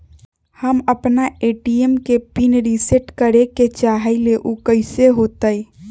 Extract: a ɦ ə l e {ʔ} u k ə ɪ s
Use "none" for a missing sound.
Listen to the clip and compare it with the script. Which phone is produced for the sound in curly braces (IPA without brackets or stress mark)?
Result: ʔ